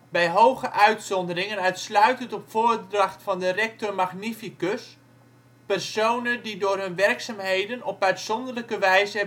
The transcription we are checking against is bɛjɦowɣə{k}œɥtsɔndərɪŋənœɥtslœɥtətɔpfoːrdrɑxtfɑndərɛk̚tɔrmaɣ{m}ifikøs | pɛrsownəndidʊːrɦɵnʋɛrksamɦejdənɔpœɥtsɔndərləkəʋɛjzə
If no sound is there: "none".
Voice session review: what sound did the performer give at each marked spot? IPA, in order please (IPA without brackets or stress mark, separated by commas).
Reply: ʔ, n